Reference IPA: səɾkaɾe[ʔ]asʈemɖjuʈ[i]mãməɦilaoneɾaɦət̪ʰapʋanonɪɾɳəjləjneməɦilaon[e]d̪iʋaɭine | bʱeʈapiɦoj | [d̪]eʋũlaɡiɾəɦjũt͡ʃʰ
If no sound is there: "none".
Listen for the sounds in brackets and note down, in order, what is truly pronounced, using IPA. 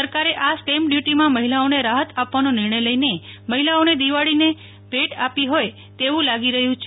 ʔ, i, e, t̪

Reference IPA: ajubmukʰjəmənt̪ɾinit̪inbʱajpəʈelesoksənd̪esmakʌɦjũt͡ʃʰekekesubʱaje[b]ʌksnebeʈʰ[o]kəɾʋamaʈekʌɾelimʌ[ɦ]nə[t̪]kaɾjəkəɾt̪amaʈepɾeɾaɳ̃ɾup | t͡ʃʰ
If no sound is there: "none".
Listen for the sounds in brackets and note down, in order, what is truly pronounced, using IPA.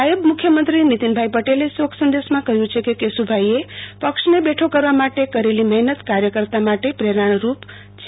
p, o, ɦ, t̪

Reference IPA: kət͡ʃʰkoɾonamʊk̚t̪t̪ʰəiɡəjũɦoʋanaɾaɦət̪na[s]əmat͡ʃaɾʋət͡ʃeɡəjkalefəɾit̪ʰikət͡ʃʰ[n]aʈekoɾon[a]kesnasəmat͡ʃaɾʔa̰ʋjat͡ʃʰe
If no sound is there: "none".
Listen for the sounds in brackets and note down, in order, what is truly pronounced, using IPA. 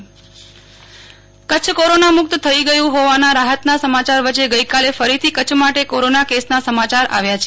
s, m, a

